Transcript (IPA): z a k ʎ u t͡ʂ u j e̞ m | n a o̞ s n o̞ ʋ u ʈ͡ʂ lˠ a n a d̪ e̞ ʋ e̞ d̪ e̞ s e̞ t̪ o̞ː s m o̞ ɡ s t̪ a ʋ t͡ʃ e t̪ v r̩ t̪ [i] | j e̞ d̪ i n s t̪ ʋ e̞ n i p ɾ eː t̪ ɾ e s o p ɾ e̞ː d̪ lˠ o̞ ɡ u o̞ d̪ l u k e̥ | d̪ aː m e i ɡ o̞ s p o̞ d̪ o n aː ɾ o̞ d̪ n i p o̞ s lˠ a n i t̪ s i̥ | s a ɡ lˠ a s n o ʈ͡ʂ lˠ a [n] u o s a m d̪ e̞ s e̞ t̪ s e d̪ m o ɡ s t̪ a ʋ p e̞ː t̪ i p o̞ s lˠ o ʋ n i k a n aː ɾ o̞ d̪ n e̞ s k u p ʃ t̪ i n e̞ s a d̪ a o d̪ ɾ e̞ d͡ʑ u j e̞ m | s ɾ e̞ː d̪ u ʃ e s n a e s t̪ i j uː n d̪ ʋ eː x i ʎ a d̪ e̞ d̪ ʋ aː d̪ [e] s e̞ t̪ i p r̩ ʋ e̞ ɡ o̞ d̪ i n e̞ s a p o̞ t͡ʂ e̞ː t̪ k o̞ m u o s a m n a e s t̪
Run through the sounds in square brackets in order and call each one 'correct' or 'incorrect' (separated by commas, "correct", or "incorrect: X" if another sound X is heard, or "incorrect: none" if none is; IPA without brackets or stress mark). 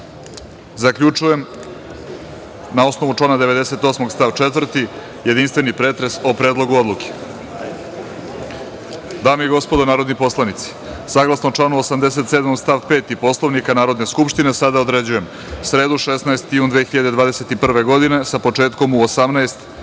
correct, correct, correct